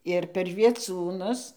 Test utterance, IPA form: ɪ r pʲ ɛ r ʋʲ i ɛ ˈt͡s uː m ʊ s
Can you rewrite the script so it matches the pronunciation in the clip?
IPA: ɪ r pʲ ɛ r ʋʲ i ɛ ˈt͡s uː n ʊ s